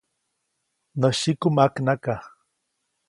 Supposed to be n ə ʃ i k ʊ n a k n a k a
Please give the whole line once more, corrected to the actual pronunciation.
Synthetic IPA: n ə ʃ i k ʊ m a k n a k a